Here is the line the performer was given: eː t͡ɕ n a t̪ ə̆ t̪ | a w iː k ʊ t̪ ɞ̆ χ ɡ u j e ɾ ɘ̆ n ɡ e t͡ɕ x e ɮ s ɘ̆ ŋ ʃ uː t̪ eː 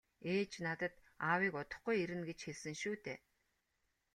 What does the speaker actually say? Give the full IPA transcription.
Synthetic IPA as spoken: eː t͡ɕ n a t̪ ə̆ t̪ | a w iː k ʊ t̪ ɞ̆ χ ɡ u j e ɾ ɘ̆ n ɡ e t͡ɕ x e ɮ s ɘ̆ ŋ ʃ uː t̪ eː